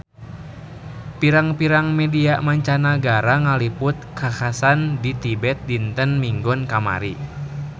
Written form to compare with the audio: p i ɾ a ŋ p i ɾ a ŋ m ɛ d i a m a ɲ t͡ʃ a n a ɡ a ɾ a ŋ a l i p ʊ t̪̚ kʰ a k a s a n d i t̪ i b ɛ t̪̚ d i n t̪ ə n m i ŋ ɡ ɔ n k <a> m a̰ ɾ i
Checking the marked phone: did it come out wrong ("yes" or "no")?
no